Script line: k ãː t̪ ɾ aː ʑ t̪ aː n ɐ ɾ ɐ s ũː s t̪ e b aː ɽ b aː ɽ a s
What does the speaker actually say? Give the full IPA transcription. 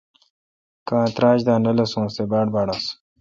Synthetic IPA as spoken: k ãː t̪ ɾ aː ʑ d̪ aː n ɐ l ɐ s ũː s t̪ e b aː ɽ b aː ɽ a s